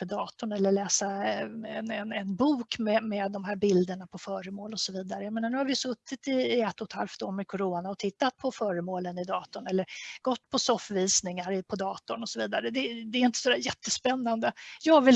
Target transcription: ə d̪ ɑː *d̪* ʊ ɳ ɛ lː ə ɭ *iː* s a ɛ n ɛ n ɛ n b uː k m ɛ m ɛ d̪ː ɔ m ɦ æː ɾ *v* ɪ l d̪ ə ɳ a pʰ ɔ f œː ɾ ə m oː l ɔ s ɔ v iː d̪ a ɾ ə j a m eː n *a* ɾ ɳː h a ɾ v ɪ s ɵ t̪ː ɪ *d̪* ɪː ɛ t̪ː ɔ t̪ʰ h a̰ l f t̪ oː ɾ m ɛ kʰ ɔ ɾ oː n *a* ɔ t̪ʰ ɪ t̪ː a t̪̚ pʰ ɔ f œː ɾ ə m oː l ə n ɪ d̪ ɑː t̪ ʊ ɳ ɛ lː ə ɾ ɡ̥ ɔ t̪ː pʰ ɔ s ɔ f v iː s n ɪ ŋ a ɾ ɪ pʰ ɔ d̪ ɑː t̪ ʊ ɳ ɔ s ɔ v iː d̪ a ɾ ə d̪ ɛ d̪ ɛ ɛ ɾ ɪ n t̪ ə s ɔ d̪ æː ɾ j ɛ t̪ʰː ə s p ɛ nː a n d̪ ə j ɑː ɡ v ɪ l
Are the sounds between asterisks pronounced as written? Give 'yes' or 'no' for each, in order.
no, no, no, yes, no, yes

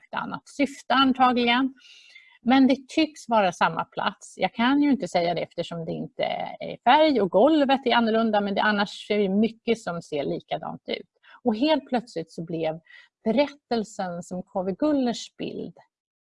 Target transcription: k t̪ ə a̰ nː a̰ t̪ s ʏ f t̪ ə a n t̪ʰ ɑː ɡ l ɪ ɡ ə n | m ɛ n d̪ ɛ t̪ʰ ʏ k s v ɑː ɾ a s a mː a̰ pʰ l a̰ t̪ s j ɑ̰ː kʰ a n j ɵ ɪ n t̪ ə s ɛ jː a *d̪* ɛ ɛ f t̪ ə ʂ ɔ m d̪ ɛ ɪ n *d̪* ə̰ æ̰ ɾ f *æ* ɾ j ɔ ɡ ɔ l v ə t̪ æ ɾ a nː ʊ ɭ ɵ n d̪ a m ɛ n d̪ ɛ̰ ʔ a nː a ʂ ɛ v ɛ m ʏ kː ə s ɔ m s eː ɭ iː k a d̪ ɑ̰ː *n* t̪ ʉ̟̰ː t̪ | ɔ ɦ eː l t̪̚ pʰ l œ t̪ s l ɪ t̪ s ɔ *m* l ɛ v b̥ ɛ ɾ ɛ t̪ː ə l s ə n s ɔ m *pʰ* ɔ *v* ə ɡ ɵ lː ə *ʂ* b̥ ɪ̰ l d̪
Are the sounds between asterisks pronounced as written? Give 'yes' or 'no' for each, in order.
yes, no, yes, yes, no, no, yes, yes

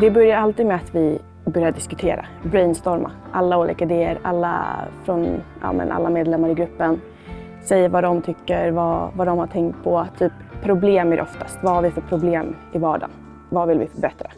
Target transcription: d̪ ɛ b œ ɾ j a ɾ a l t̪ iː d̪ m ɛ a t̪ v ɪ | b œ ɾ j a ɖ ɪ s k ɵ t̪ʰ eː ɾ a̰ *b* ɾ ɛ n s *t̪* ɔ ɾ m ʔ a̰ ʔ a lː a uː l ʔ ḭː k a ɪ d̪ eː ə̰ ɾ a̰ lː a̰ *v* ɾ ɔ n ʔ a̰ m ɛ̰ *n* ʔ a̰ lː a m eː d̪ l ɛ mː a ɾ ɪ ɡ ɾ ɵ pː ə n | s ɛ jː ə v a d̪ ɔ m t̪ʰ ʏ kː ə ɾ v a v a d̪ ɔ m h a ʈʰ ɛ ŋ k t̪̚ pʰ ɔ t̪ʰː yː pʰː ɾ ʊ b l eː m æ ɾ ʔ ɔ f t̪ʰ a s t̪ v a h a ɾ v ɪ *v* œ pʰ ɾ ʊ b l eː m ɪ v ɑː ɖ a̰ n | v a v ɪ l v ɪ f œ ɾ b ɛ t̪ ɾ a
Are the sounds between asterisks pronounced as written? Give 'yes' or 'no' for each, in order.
yes, yes, no, yes, no

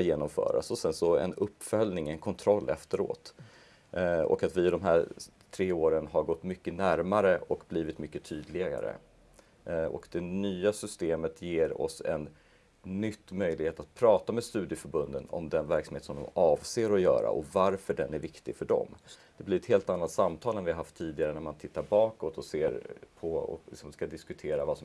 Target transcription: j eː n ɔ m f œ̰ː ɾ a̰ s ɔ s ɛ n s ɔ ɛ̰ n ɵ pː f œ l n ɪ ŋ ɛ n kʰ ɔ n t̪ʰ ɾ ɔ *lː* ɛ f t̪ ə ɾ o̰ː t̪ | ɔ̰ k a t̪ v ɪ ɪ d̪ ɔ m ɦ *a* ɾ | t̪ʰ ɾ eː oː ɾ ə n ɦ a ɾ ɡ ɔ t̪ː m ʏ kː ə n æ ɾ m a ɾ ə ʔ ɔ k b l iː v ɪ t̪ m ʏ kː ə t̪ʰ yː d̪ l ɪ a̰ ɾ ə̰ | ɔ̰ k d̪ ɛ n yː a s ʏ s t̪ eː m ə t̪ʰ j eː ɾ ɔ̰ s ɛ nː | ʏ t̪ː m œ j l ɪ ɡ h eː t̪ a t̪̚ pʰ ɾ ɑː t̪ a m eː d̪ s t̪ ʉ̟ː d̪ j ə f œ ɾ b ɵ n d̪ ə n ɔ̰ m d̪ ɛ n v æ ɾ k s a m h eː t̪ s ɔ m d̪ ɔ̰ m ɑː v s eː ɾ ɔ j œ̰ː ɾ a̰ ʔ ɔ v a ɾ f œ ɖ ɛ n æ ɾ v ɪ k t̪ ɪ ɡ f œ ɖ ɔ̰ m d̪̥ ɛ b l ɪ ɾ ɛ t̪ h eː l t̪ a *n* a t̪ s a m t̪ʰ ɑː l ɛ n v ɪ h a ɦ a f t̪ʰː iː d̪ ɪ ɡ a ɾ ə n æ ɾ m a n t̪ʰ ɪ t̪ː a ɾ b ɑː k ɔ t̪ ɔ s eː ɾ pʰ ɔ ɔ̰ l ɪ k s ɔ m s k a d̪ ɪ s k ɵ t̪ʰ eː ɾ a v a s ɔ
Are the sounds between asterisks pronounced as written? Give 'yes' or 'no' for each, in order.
yes, no, no

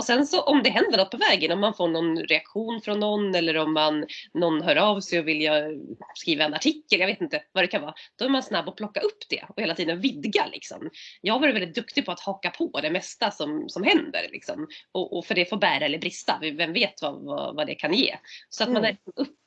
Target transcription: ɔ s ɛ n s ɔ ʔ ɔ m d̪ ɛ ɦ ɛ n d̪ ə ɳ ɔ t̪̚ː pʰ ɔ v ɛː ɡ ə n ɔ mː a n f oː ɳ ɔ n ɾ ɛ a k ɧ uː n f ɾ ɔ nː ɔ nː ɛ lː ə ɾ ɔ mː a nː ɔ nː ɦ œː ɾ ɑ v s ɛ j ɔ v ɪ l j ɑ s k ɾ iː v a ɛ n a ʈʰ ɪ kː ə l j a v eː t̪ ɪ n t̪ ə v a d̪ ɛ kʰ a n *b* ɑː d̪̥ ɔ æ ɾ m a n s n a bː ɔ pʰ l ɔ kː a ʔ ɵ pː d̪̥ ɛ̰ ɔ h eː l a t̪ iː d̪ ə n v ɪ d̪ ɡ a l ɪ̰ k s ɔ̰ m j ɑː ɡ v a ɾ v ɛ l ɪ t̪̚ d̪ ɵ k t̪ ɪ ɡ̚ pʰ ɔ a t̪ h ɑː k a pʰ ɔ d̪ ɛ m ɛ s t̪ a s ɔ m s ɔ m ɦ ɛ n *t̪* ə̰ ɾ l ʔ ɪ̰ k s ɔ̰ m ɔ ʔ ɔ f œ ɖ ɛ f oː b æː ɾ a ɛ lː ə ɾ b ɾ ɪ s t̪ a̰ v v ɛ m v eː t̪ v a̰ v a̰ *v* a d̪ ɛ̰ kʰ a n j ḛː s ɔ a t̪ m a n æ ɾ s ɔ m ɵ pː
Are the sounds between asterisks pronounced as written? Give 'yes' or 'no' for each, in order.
no, no, yes

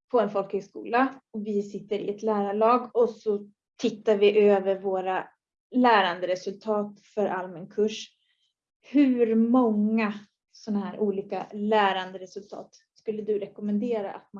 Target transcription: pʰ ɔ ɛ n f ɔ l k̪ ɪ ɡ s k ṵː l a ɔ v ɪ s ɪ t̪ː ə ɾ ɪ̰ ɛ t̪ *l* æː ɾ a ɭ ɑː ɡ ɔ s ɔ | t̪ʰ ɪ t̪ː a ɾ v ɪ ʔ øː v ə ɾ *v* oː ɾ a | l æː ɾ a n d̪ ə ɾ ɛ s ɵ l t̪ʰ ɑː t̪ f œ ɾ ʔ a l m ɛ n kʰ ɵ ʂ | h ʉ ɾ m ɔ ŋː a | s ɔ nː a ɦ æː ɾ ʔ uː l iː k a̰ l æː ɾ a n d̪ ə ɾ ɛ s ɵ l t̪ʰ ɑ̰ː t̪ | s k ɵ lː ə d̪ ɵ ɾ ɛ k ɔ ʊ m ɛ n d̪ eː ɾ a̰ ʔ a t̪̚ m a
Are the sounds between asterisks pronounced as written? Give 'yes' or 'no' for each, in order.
yes, yes

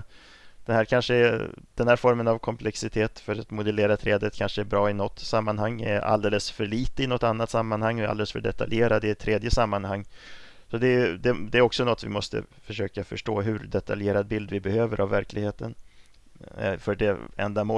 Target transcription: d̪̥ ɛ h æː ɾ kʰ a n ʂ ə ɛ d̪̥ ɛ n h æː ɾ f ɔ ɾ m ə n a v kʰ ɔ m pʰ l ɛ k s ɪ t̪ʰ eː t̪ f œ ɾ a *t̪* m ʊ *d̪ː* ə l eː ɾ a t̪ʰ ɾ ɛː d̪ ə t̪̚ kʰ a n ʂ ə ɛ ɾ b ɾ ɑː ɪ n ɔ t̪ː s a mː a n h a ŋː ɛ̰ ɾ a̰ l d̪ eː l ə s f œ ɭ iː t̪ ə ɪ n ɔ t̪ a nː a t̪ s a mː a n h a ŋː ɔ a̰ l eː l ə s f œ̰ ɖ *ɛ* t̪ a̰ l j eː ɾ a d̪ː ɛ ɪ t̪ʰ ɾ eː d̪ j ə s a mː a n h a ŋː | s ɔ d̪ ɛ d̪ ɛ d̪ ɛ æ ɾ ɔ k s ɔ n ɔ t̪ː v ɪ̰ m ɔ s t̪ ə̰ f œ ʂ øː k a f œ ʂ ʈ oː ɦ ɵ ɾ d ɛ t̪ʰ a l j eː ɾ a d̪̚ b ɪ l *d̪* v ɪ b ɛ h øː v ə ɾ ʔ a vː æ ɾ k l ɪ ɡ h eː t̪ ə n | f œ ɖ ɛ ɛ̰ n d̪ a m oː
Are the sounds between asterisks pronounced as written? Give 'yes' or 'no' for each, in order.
yes, no, yes, yes

